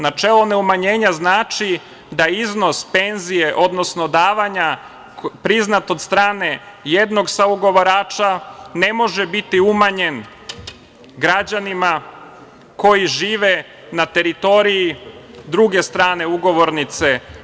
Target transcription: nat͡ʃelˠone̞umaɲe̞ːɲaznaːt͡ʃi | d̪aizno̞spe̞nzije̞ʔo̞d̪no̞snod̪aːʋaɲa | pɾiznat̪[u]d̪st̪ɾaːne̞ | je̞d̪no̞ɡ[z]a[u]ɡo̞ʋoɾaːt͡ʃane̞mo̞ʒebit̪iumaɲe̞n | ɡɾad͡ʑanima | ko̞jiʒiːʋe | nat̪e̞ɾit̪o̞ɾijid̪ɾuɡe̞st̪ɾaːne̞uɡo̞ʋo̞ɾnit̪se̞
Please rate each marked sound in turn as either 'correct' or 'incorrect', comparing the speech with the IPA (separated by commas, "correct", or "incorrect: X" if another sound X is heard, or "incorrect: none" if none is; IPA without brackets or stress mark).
incorrect: o, incorrect: s, correct